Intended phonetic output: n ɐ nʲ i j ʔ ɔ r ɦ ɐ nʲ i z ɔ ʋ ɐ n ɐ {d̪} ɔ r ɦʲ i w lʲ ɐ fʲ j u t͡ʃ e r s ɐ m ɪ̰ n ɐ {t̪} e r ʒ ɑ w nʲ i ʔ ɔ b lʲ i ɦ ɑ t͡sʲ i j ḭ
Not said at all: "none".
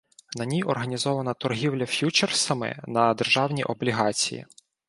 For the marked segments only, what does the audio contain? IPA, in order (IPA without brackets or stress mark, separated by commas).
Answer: t̪, d̪